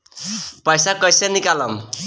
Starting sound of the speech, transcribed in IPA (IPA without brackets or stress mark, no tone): p